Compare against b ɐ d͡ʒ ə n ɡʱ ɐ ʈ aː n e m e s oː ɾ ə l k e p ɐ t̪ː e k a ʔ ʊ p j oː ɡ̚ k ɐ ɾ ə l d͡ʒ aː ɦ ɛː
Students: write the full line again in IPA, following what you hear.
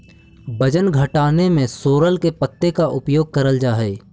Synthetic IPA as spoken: b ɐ d͡ʒ ə n ɡʱ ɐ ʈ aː n e m ẽ s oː ɾ ə l k e p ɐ t̪ː e k a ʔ ʊ p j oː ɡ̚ k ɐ ɾ ə l d͡ʒ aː ɦ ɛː